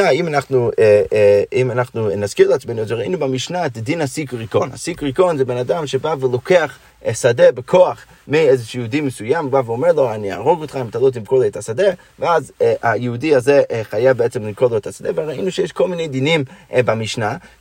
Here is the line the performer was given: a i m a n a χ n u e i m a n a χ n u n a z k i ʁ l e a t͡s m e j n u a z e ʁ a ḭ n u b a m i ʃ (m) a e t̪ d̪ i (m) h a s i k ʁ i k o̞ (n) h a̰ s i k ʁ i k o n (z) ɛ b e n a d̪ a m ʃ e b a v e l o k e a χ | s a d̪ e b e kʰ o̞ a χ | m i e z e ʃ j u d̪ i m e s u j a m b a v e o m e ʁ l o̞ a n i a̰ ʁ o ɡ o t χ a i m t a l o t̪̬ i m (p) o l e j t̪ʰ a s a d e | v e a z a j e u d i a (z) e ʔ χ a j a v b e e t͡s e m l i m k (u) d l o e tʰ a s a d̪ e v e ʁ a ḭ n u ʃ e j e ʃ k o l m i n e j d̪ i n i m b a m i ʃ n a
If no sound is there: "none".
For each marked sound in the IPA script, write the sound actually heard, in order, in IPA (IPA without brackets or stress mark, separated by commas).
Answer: n, n, n, z, k, z, o